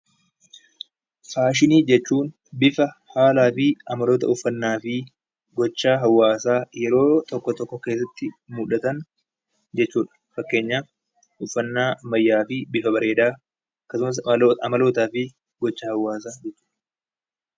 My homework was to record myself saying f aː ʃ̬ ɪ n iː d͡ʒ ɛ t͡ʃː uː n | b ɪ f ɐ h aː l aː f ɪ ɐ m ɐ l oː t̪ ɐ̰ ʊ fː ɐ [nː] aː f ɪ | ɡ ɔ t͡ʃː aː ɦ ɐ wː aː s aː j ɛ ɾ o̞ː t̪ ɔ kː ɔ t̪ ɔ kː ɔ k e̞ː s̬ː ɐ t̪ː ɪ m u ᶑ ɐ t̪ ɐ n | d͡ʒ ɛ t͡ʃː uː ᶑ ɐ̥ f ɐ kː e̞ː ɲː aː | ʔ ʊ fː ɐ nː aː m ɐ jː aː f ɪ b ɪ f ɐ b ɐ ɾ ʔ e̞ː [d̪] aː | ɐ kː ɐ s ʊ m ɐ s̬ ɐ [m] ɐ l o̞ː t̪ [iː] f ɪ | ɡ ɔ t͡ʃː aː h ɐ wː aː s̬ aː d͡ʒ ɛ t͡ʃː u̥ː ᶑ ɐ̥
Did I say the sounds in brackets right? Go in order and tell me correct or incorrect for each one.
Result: correct, correct, correct, incorrect: aː

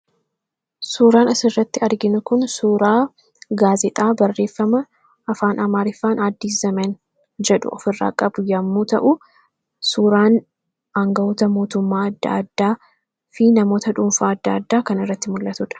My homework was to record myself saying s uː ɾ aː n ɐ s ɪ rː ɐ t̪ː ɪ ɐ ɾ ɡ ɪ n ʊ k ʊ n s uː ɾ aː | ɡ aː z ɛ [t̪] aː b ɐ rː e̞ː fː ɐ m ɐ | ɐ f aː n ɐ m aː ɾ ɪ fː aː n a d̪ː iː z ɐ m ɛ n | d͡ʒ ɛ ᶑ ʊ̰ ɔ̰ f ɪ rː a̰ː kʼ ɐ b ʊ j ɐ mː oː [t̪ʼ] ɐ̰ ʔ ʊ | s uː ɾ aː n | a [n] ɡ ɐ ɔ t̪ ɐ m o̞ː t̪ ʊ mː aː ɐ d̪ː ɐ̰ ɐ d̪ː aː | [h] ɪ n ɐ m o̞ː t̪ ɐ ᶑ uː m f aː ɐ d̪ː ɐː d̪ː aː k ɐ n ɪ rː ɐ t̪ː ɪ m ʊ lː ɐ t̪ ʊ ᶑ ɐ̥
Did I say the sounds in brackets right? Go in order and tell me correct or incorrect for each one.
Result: incorrect: t̪ʼ, incorrect: t̪, incorrect: ŋ, incorrect: f

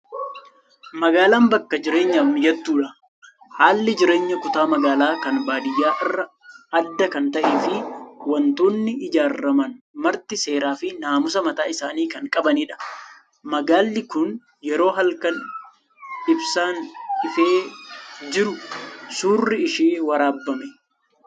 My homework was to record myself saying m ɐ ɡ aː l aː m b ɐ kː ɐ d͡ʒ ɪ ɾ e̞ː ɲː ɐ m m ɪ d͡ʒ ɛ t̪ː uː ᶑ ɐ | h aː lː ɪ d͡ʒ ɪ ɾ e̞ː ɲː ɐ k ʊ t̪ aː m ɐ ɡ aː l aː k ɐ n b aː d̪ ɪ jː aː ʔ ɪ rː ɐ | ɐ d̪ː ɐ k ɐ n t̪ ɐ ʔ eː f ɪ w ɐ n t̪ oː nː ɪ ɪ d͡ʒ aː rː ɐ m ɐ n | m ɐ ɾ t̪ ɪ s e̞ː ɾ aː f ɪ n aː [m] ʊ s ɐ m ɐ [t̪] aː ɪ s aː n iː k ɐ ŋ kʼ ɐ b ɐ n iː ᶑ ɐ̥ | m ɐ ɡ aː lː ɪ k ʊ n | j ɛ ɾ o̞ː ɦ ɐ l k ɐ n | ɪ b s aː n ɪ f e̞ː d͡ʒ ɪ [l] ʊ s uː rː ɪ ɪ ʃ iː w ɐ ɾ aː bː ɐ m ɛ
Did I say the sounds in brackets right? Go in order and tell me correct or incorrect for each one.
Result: correct, correct, incorrect: ɾ

